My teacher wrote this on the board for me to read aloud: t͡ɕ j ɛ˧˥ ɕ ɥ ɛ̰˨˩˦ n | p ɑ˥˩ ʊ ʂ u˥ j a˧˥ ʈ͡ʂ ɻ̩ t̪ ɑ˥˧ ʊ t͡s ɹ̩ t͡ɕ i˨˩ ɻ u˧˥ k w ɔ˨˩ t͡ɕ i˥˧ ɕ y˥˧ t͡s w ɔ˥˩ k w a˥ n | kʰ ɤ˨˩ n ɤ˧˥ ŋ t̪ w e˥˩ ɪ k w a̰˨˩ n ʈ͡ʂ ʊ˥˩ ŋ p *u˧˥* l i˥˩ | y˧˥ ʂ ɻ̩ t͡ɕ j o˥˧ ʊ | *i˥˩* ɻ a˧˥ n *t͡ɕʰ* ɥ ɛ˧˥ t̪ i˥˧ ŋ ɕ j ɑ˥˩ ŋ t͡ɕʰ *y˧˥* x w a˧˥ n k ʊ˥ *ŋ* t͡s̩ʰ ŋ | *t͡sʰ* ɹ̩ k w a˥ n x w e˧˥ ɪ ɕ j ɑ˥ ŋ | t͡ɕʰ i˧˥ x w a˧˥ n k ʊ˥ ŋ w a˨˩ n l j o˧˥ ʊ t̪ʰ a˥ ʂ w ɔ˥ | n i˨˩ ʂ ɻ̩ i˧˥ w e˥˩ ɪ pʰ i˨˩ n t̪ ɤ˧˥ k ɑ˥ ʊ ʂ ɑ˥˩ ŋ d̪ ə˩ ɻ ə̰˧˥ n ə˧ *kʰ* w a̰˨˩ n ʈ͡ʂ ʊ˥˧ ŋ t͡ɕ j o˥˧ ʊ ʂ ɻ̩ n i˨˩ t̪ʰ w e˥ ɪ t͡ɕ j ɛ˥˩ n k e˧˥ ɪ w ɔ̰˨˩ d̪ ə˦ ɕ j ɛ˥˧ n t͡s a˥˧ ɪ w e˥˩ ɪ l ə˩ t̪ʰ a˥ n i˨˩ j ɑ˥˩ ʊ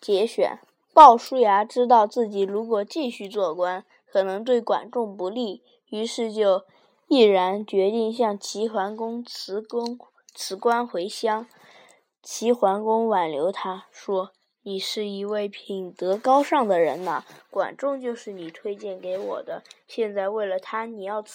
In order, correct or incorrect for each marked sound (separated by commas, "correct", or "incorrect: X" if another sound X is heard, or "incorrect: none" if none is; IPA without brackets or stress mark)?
correct, correct, incorrect: t͡ɕ, incorrect: i˧˥, correct, correct, incorrect: k